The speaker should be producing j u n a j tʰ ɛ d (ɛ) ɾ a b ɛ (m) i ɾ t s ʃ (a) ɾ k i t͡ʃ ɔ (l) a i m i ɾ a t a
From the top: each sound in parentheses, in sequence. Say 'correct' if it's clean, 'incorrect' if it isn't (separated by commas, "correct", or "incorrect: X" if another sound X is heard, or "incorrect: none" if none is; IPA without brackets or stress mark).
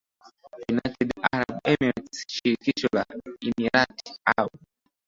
incorrect: a, correct, incorrect: i, correct